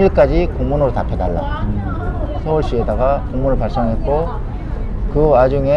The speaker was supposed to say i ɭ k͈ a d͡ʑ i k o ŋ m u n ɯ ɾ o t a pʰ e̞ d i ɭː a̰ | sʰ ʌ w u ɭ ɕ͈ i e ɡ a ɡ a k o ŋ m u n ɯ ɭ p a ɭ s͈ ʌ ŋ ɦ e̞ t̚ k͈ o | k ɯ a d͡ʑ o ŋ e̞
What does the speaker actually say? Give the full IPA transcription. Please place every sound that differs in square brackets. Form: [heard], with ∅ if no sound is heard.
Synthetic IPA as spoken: i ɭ k͈ a d͡ʑ i k o ŋ m u n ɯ ɾ o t a pʰ e̞ d [a] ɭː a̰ | sʰ ʌ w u ɭ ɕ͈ i e [d] a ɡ a k o ŋ m u n ɯ ɭ p a ɭ s͈ ʌ ŋ ɦ e̞ t̚ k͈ o | k ɯ a d͡ʑ [u] ŋ e̞